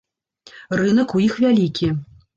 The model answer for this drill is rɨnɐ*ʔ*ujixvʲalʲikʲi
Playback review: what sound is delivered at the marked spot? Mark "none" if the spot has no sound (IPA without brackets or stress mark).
k